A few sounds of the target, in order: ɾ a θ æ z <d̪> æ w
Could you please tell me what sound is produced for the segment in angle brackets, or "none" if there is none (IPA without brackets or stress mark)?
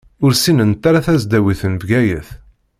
d̪